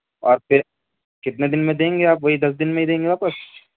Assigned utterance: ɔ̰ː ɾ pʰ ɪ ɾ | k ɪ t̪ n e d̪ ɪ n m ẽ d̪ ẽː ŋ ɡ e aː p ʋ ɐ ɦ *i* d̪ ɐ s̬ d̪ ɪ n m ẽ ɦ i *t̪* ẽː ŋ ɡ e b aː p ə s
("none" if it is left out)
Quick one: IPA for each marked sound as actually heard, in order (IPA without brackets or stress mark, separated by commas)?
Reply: i, d̪